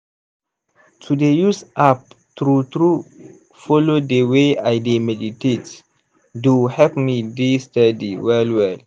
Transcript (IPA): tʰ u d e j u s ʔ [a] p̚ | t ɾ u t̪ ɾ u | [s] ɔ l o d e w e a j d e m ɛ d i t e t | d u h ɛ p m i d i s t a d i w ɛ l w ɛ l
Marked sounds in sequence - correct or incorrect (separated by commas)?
correct, incorrect